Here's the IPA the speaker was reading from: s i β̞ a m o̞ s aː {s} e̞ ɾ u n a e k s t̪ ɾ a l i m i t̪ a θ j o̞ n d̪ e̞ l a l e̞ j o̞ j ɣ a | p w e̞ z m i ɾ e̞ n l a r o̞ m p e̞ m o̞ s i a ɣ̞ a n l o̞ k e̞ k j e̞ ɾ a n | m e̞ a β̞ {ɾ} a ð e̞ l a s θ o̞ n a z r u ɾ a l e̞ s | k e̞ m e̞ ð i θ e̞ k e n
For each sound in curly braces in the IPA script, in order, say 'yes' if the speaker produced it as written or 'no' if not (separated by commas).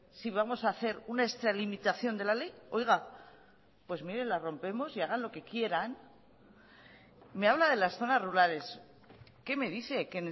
no, no